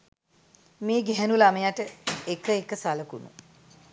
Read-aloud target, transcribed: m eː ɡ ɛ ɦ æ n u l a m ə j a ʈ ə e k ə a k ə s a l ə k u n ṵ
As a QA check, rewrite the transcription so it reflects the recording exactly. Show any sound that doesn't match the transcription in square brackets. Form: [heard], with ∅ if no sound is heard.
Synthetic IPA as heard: m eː ɡ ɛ ɦ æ n u l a m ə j a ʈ ə e k ə [e] k ə s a l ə k u n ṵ